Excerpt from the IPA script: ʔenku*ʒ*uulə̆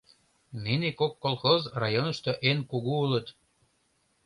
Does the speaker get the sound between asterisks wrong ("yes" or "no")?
yes